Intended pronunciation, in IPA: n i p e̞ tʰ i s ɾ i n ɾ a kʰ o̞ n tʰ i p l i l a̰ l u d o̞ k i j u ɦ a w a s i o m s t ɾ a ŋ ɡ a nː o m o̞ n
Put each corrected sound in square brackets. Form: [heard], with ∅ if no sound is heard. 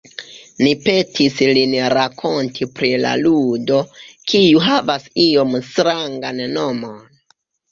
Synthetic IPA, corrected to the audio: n i p e̞ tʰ i s [l] i n ɾ a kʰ o̞ n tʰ i p [ɾ] i l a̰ l u d o̞ k i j u ɦ a [v] a s i o m s t ɾ a ŋ ɡ a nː o m o̞ n